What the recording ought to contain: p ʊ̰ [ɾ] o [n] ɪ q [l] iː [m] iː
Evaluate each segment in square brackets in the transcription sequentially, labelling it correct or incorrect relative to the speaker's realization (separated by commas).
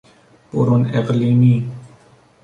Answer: correct, correct, correct, correct